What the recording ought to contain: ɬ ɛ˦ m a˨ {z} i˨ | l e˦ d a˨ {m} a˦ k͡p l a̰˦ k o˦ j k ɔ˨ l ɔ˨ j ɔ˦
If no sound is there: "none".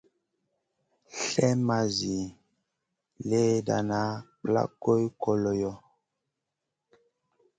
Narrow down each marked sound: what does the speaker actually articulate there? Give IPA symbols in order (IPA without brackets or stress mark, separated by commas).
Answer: z, n